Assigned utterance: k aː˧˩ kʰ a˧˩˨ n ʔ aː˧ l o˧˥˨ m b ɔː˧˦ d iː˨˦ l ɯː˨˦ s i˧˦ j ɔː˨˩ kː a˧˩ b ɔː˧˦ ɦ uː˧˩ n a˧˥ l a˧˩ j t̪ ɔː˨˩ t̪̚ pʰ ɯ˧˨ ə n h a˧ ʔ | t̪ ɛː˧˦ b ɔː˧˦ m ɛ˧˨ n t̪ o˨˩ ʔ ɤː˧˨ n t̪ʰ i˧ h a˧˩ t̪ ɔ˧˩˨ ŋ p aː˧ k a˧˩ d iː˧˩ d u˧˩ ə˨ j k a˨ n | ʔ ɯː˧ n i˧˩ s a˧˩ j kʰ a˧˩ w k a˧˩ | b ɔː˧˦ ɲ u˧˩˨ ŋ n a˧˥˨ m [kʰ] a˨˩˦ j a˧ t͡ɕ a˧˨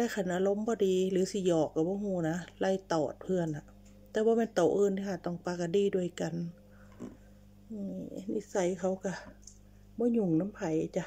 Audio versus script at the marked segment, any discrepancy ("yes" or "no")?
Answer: yes